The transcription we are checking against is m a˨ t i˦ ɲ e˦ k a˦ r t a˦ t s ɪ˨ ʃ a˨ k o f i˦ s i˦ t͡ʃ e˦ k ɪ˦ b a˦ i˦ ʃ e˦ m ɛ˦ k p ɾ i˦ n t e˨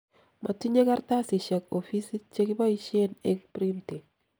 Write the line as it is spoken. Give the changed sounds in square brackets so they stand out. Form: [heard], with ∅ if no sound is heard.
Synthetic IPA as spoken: m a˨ t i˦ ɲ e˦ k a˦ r t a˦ [∅] s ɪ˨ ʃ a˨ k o f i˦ s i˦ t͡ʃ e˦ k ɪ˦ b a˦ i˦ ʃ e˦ [n] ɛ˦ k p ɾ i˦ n t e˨